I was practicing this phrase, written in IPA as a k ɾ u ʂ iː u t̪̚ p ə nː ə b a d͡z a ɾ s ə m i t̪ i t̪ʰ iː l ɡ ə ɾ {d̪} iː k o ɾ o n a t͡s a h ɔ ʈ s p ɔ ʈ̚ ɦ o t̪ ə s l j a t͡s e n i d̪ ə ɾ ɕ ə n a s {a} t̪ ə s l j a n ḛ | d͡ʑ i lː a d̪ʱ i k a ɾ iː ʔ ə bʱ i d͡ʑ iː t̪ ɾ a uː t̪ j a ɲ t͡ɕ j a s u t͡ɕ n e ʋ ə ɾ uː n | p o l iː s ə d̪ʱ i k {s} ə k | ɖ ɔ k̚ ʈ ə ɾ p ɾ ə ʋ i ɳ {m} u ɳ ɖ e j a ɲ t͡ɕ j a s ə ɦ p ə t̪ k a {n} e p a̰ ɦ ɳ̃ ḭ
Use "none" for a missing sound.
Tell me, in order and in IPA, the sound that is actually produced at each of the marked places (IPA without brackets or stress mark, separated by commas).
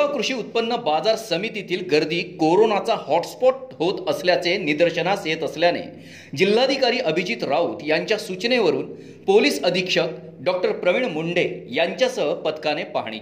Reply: d̪, e, ʂ, m, n